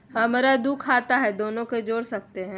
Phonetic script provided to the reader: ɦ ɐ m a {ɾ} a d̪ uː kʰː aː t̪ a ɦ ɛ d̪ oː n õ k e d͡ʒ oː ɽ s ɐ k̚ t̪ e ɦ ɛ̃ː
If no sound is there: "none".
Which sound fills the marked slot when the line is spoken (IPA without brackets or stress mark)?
ɾ